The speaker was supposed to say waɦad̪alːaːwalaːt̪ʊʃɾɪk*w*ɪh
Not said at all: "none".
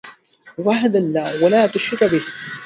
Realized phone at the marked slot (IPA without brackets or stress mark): b